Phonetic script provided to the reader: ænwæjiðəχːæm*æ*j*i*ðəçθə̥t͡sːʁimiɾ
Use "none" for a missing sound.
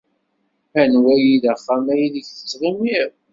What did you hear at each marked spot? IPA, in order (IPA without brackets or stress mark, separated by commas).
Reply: æ, i